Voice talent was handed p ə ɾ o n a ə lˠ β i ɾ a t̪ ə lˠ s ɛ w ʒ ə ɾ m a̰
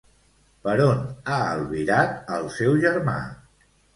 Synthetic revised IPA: p ə ɾ o n a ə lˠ β i ɾ a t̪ ə lˠ s ɛ w ʒ ə ɾ m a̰